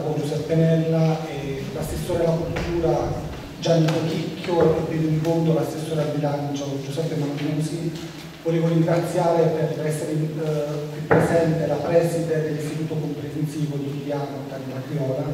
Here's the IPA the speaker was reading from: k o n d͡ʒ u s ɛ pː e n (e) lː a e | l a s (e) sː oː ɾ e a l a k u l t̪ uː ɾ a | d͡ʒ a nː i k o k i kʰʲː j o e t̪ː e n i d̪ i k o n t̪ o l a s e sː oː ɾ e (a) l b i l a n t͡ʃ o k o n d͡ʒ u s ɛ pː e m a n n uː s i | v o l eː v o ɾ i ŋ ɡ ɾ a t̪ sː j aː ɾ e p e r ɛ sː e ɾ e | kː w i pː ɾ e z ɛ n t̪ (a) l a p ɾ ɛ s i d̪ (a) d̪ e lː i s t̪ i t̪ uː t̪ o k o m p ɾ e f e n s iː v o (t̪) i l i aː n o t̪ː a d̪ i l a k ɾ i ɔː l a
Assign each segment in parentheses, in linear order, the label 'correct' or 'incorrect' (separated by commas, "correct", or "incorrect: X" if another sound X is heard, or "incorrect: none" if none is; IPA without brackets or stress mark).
incorrect: ɛ, correct, correct, incorrect: e, incorrect: e, incorrect: d̪